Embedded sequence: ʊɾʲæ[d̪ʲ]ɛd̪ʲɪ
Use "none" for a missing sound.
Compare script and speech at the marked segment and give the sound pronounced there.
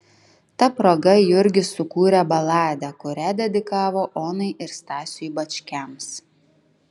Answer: d̪ʲ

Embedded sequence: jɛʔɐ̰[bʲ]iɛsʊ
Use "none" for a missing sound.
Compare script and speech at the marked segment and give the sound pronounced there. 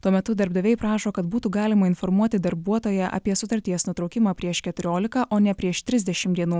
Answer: pʲ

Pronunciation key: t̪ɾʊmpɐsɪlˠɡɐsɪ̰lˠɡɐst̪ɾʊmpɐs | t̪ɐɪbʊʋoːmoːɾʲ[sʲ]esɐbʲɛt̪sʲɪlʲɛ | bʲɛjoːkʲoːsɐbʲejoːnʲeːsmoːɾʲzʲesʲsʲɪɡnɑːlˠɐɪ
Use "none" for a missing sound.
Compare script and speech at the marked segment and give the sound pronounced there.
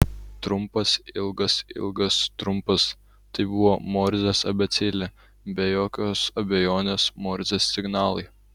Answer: zʲ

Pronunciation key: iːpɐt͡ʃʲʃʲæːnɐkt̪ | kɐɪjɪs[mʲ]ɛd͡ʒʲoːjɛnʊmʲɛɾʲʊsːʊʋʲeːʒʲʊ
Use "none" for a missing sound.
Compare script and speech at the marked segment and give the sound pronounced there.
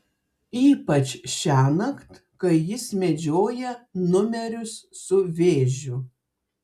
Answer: mʲ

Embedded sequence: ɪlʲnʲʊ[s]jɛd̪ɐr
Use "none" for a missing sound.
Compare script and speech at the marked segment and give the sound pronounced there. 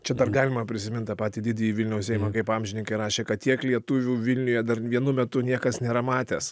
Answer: none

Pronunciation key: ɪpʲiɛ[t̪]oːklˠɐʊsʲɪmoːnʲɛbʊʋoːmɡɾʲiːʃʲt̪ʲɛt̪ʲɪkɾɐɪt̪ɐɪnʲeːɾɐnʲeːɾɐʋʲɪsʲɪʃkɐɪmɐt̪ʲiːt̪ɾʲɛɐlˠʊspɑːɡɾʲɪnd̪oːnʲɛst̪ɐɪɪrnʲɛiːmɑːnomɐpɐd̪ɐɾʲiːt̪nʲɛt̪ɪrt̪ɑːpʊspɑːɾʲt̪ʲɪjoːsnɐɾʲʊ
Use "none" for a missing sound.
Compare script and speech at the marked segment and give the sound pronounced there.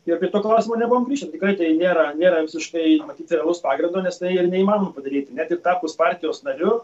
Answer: t̪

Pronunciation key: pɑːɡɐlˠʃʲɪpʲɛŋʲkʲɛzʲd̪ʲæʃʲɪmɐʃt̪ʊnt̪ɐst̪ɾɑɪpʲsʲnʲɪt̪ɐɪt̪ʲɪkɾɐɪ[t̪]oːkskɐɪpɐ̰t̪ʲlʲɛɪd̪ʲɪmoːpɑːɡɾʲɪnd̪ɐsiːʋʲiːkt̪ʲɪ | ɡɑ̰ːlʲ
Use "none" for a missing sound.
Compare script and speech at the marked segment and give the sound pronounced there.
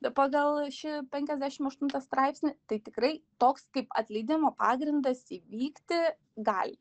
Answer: t̪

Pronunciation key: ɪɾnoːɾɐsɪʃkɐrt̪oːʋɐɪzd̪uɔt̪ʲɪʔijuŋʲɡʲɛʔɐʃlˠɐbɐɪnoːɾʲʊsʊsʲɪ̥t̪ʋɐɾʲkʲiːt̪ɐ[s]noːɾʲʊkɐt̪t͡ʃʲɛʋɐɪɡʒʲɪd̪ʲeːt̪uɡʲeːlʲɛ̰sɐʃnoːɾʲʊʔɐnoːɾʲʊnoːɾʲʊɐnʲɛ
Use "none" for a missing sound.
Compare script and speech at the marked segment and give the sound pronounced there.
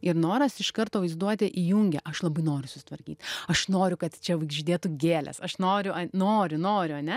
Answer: ʃ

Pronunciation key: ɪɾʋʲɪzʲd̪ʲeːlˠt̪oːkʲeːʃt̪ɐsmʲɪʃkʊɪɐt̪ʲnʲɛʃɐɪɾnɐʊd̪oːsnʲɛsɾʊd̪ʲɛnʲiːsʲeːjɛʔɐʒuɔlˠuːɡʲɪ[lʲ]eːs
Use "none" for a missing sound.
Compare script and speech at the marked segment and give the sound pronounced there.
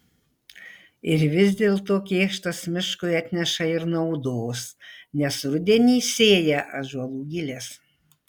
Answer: lʲ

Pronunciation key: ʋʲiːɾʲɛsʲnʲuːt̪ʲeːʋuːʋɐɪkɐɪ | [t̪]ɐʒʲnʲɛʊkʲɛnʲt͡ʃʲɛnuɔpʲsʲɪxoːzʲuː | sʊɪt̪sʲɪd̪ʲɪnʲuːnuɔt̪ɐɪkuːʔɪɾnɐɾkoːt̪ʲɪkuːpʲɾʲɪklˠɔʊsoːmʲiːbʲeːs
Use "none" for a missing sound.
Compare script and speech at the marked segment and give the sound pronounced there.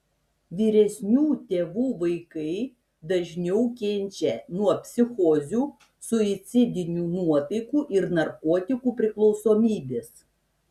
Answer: d̪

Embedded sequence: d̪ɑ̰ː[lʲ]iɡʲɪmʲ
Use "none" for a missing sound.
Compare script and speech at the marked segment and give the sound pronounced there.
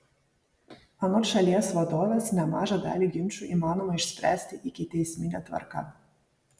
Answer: lʲ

